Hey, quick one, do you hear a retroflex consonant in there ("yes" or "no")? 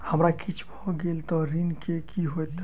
no